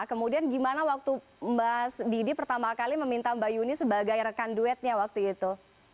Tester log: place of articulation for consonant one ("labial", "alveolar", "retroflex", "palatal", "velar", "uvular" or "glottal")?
velar